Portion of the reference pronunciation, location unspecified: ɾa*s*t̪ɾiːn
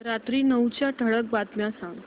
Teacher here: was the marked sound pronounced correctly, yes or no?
no